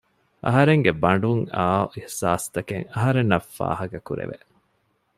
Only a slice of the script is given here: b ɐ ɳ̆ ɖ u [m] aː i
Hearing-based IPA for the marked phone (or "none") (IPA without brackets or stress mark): ŋ